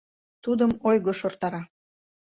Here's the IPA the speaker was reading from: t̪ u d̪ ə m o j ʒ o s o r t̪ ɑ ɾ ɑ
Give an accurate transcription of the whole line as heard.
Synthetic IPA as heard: t̪ u d̪ ə m o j ɣ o ʃ o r t̪ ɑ ɾ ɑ